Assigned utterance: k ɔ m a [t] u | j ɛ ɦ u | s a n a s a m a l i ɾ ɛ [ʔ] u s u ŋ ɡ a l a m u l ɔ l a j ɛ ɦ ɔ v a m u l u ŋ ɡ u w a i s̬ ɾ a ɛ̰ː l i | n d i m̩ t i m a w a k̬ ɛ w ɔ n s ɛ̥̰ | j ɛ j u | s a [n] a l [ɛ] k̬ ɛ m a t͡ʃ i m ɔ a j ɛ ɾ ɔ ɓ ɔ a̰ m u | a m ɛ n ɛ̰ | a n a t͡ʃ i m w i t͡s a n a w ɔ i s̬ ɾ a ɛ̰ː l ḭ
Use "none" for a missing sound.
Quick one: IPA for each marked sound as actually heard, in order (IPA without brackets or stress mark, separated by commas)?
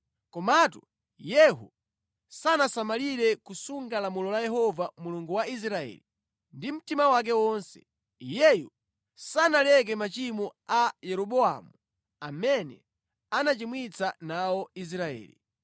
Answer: t, k, n, ɛ